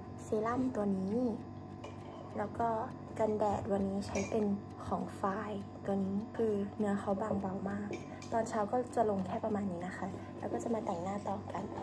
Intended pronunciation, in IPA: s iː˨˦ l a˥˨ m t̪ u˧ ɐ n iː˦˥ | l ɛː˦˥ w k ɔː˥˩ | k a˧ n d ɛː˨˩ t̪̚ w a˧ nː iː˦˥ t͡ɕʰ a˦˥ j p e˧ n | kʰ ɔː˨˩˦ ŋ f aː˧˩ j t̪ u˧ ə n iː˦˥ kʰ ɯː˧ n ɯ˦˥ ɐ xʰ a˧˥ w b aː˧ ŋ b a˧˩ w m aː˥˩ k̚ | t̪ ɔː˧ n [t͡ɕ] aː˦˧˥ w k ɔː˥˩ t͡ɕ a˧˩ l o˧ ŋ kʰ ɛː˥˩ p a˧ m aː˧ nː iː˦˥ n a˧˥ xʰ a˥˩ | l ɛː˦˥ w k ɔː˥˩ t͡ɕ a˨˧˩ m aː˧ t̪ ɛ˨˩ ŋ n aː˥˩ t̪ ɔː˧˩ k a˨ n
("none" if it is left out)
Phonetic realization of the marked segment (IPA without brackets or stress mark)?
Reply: t͡ɕʰ